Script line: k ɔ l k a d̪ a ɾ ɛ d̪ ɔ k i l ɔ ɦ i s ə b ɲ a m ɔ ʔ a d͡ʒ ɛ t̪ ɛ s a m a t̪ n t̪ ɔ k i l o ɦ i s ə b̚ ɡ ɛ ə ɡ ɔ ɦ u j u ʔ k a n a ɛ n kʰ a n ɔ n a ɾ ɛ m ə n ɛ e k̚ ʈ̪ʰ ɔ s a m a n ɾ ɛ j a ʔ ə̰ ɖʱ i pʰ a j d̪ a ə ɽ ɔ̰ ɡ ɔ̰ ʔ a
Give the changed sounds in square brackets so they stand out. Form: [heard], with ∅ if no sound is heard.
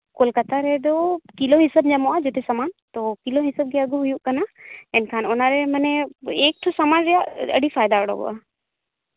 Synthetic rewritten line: k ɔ l k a [t̪] a ɾ ɛ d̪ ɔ k i l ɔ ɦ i s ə b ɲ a m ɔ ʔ a d͡ʒ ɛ t̪ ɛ s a m a [∅] n t̪ ɔ k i l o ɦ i s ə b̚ ɡ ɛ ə ɡ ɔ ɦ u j u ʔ k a n a ɛ n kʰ a n ɔ n a ɾ ɛ m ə n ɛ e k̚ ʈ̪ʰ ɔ s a m a n ɾ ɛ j a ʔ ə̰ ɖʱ i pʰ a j d̪ a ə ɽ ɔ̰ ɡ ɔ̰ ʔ a